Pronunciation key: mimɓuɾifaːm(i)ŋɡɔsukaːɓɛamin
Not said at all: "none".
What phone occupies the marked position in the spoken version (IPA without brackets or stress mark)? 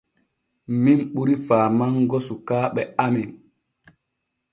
a